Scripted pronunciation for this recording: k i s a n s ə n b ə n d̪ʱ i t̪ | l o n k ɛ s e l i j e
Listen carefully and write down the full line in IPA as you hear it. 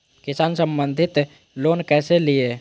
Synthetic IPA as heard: k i s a n s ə m b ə n d̪ʱ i t̪ | l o n k ɛ s e l i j e